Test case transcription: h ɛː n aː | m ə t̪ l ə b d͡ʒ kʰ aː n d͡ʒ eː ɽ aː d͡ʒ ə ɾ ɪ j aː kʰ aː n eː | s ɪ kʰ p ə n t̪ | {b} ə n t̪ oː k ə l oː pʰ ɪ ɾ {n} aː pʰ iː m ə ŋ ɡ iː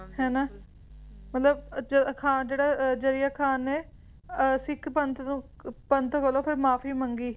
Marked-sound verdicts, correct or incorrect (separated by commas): incorrect, incorrect